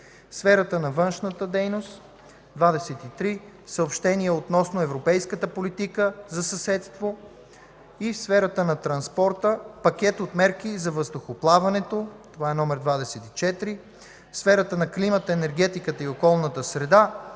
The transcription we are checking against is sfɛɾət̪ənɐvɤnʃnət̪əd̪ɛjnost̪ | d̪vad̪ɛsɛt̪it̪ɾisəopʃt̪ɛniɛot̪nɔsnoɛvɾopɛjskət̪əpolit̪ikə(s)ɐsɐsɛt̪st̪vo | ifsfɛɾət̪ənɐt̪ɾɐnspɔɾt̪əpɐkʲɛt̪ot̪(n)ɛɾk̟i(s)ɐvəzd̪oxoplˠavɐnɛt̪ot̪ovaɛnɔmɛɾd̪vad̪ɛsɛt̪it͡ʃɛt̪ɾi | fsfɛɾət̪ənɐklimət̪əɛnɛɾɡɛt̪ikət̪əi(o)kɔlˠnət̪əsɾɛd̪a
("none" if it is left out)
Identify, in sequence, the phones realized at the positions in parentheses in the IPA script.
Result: z, m, z, o

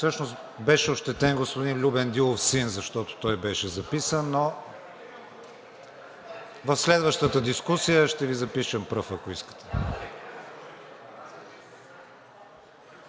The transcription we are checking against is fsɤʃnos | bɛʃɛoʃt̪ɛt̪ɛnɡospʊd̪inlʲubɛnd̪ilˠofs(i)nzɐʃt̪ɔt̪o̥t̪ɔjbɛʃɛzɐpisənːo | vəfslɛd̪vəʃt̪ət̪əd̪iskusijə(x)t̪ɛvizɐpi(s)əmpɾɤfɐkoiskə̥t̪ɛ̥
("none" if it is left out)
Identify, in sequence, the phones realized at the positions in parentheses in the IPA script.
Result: i, ʃ, ʃ

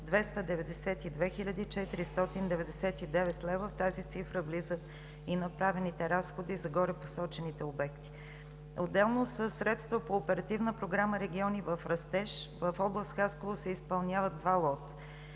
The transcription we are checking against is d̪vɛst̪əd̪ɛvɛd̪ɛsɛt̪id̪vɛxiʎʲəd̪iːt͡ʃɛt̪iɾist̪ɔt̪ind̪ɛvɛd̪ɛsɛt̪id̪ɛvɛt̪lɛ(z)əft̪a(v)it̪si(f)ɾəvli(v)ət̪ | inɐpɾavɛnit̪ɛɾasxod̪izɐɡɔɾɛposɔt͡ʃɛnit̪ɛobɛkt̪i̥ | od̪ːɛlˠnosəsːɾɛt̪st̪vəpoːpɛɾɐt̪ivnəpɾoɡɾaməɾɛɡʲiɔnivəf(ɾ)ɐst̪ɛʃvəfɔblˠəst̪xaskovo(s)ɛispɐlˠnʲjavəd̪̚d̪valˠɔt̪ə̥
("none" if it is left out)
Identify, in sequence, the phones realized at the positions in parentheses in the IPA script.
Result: v, z, f, z, ɾ, s

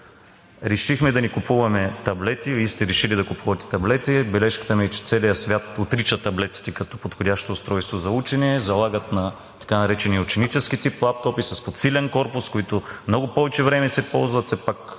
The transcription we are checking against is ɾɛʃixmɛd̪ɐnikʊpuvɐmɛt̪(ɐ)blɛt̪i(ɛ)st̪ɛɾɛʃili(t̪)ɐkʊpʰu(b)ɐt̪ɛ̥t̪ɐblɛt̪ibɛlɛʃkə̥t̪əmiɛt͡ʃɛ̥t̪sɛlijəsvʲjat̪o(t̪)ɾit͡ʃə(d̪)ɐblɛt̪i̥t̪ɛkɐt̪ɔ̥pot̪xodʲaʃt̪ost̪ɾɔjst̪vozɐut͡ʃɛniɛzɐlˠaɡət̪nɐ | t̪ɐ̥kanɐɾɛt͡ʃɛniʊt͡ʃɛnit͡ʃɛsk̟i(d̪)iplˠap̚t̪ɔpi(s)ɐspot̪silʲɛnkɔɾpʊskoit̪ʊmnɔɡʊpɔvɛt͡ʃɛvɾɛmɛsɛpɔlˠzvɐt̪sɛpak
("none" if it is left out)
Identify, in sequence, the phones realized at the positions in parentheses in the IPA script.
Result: ɐ, i, d̪, v, t̪, t̪, t̪, s

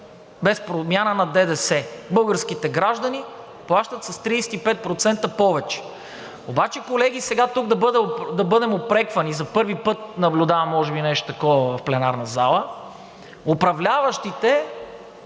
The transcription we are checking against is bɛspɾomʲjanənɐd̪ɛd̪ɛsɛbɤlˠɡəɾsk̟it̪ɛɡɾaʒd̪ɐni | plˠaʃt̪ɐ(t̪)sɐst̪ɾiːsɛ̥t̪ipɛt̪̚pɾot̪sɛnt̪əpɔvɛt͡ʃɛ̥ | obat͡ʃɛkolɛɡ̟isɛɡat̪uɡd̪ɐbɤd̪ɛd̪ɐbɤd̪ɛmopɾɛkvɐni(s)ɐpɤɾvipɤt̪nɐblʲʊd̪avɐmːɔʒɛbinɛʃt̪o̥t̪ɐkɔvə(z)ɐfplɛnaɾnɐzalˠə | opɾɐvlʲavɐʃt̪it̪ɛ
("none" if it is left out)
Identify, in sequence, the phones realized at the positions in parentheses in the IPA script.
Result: t̪, z, v

